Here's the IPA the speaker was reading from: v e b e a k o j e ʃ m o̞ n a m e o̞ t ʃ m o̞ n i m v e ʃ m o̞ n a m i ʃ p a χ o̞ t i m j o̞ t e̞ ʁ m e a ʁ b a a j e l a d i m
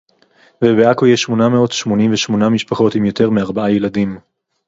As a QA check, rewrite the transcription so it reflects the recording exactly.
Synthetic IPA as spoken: v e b e a k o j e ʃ m o̞ n a m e o̞ t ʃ m o̞ n i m v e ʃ m o̞ n a m i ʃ p a χ o̞ t i m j o̞ t e̞ ʁ m e a ʁ b a a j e l a d i m